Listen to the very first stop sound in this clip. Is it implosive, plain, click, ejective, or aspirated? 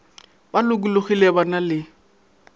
plain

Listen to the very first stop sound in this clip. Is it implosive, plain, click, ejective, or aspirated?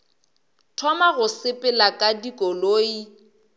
aspirated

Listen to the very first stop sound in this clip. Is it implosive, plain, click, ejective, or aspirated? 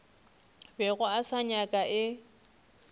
plain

